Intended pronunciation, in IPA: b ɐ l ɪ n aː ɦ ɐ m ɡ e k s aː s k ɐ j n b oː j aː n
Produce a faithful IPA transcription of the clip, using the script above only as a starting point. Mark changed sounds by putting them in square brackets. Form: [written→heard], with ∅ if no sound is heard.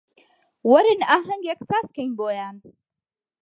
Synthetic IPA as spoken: [b→w] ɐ [l→ɾ] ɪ n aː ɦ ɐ [m→ŋ] ɡ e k s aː s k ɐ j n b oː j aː n